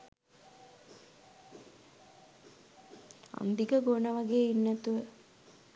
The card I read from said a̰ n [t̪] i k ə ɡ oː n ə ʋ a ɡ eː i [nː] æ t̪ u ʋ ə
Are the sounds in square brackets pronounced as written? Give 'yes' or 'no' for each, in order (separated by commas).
no, yes